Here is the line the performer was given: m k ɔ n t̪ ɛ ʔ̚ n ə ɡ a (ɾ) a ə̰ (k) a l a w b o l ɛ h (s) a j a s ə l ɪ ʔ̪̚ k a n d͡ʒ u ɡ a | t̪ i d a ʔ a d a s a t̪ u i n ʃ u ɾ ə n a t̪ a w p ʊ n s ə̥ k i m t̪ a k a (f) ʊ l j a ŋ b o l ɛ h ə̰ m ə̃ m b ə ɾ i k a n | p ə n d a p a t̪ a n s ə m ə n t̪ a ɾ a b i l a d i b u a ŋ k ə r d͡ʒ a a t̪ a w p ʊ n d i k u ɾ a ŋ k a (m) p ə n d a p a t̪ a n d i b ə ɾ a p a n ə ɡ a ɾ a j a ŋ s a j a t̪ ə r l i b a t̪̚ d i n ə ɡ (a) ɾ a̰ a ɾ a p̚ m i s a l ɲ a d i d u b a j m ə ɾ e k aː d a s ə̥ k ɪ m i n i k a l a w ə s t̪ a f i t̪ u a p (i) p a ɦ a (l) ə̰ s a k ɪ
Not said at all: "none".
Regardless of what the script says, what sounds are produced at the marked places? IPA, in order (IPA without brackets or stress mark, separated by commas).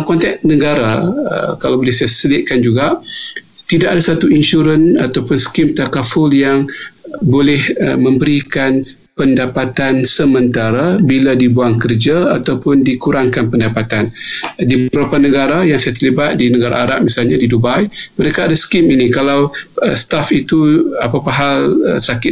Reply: ɾ, k, s, f, n, a, a, l